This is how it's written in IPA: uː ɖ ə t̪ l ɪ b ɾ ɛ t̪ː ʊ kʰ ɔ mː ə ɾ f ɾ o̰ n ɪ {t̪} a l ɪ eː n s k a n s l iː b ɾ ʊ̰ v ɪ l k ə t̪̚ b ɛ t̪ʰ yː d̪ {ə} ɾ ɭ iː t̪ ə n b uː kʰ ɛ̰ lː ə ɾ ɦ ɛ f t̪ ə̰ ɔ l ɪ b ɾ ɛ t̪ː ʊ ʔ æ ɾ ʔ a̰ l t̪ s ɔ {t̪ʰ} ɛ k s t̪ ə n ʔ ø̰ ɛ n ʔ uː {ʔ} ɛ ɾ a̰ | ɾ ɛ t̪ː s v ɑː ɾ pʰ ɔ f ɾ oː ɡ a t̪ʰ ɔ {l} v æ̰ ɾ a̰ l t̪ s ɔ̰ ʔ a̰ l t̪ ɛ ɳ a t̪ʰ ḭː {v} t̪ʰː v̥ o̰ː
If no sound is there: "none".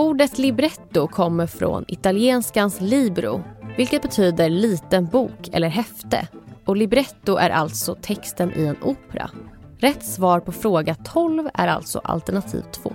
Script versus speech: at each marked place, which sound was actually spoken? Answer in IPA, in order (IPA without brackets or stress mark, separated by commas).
t̪, ə, t̪ʰ, p, l, v